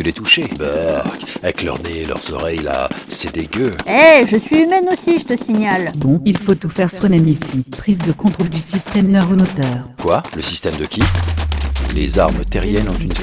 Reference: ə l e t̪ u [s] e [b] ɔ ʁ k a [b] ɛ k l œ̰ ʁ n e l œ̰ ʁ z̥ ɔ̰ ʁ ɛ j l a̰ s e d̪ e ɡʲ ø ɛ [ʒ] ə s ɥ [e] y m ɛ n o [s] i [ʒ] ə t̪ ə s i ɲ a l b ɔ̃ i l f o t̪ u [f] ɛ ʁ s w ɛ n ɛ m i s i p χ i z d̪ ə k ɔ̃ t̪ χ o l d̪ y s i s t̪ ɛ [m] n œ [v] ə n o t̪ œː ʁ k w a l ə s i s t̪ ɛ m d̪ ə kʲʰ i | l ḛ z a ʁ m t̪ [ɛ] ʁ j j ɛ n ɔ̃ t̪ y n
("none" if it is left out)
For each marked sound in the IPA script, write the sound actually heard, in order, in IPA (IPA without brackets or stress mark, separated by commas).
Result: ʃ, b, v, ʒ, i, s, ʒ, f, m, ʁ, ɛ